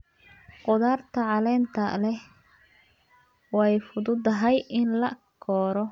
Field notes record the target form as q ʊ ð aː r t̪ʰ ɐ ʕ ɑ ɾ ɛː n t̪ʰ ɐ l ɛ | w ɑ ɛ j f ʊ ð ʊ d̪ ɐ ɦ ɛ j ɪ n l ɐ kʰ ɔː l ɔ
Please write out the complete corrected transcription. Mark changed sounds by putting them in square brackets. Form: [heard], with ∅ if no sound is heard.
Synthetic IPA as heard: q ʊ ð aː r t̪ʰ ɐ ʕ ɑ [l] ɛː n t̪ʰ ɐ l ɛ | w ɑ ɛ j f ʊ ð ʊ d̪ ɐ ɦ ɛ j ɪ n l ɐ kʰ ɔː [ɾ] ɔ

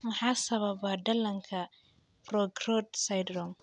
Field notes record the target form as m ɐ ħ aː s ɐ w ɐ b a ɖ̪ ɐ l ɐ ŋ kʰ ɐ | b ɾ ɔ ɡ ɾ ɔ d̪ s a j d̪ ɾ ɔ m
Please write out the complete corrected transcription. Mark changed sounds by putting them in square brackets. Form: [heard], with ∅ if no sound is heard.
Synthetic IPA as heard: m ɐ ħ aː s ɐ [β] ɐ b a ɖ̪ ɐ l ɐ ŋ kʰ ɐ | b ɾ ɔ ɡ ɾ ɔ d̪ s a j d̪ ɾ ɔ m

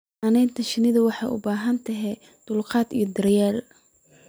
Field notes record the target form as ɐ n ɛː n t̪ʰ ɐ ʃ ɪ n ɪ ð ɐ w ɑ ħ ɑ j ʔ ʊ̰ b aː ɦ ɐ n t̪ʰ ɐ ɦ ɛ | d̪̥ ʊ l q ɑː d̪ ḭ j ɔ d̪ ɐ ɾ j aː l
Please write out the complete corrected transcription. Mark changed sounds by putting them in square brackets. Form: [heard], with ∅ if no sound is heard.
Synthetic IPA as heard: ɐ n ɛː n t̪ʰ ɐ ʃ ɪ n ɪ ð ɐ w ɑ ħ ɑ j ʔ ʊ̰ b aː ɦ ɐ n t̪ʰ ɐ ɦ ɛ | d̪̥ ʊ l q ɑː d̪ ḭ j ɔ d̪ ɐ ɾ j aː l

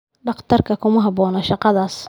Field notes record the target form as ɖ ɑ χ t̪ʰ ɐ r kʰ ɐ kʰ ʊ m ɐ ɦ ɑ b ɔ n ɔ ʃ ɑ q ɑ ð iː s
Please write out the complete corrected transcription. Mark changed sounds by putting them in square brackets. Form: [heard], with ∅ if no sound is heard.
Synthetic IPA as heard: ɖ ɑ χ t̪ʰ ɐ r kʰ ɐ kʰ ʊ m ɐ ɦ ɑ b [ɔː] n ɔ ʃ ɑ q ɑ ð [aː] s

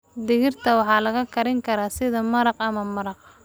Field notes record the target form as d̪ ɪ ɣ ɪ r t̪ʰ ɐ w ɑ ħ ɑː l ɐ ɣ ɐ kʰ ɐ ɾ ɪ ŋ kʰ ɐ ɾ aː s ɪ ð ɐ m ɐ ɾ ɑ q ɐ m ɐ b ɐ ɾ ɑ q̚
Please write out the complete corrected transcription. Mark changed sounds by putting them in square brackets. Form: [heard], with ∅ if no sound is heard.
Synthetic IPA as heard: d̪ ɪ ɣ ɪ r t̪ʰ ɐ w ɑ ħ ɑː l ɐ ɣ ɐ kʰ ɐ ɾ ɪ ŋ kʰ ɐ ɾ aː s ɪ ð ɐ m ɐ ɾ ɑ q ɐ m ɐ [m] ɐ ɾ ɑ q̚

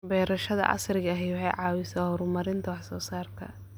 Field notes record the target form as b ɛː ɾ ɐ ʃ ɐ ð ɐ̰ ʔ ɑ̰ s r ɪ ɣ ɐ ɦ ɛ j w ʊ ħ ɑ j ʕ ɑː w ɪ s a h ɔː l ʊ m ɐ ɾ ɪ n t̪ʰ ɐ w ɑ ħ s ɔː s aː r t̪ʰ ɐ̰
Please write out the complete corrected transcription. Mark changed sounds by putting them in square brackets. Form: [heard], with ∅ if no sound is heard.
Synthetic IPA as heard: b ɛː ɾ ɐ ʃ ɐ ð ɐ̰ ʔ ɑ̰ s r ɪ ɣ ɐ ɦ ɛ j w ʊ ħ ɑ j ʕ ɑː w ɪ s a h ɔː [ɾ] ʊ m ɐ ɾ ɪ n t̪ʰ ɐ w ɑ ħ s ɔː s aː r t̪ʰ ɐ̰

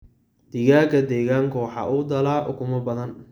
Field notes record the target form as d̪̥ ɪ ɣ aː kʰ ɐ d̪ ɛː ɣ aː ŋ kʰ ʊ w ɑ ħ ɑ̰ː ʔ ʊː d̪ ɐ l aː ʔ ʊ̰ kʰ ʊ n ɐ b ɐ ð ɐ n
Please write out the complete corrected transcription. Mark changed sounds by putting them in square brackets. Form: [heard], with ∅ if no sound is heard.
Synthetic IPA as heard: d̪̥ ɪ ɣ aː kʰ ɐ d̪ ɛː ɣ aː ŋ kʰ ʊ w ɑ ħ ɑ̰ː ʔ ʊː d̪ ɐ l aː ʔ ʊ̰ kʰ ʊ [m] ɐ b ɐ ð ɐ n

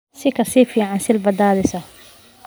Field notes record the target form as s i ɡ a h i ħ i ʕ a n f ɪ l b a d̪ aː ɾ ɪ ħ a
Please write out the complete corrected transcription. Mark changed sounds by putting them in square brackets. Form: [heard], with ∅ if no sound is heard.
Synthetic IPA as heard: s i [k] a [s] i [f] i ʕ a n [s] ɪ l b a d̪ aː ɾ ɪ [s] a

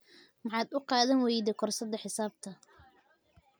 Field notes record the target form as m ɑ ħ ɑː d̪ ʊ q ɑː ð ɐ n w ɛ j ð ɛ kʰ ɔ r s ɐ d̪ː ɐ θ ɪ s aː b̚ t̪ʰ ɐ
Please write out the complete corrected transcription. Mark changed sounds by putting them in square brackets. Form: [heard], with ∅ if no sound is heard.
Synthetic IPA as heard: m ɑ ħ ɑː d̪ ʊ q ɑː ð ɐ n w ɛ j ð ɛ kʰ ɔ r s ɐ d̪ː ɐ [ħ] ɪ s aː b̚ t̪ʰ ɐ

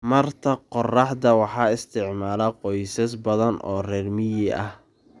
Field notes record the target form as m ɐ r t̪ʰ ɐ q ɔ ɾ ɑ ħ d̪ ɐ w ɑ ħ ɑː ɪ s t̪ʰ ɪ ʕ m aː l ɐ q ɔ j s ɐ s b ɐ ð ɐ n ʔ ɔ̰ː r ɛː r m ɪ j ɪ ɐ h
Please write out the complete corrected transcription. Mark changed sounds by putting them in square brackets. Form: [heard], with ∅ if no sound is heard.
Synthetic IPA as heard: m ɐ r t̪ʰ ɐ q ɔ [r] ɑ ħ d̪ ɐ w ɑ ħ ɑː ɪ s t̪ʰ ɪ ʕ m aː l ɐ q ɔ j s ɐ s b ɐ ð ɐ n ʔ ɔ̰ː r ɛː r m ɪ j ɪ ɐ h

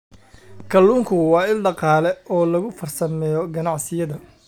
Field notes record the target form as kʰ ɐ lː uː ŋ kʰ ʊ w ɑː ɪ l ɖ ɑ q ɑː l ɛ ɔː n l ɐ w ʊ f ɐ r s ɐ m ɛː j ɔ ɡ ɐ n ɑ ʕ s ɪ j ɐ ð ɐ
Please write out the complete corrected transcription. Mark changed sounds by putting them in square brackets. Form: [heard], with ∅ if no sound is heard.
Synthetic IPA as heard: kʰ ɐ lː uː ŋ kʰ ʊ w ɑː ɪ l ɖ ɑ q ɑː l ɛ ɔː [∅] l ɐ [ɣ] ʊ f ɐ r s ɐ m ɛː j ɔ ɡ ɐ n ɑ ʕ s ɪ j ɐ ð ɐ

